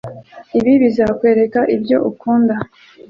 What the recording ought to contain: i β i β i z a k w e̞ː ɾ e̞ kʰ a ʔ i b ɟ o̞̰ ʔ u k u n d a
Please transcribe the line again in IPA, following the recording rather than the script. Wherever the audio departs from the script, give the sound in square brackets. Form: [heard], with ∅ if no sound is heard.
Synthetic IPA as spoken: i β i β i z a k w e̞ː ɾ e̞ [k] a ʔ i b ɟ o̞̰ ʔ u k [uː] n d a